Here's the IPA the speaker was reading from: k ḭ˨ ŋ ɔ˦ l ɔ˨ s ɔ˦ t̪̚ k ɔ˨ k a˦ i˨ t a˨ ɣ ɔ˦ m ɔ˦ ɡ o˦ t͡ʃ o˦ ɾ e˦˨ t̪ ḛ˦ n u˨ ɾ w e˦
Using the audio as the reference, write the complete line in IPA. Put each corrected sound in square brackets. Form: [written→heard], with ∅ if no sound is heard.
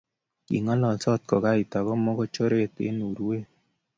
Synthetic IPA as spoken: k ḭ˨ ŋ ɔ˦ l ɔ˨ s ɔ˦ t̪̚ k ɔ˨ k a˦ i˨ t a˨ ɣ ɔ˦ m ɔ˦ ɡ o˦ t͡ʃ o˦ ɾ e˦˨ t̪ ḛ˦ n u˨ ɾ w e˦